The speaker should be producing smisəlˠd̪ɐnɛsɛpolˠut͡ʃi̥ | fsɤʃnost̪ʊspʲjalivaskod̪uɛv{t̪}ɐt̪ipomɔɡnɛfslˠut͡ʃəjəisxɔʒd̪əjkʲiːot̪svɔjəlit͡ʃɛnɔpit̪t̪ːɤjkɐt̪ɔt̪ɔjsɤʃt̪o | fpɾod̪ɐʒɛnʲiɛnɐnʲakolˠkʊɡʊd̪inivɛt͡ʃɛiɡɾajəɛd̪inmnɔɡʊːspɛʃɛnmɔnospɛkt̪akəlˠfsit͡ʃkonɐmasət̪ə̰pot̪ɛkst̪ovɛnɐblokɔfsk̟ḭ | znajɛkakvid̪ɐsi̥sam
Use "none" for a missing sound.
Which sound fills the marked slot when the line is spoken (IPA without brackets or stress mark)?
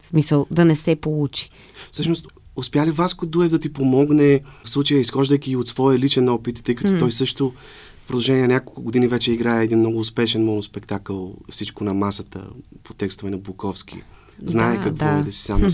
d̪